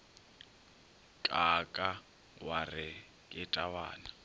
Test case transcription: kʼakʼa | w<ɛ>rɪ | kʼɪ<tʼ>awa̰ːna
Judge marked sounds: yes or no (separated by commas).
no, yes